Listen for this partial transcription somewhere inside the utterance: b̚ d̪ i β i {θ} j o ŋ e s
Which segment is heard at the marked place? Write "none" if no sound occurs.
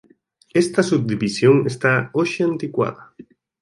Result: s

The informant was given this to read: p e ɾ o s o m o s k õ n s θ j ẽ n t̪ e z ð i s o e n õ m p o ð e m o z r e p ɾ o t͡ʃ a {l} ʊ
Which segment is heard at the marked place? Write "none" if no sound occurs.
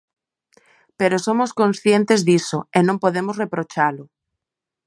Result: l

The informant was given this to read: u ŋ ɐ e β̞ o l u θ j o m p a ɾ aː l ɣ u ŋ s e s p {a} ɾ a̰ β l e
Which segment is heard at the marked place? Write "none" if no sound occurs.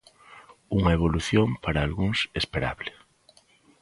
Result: e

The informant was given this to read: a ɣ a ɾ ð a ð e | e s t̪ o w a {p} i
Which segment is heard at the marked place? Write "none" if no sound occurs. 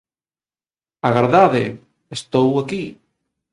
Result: k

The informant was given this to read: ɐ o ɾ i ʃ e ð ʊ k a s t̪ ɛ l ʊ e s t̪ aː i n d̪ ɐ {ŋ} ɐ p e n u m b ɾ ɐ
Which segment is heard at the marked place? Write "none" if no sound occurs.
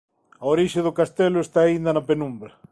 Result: n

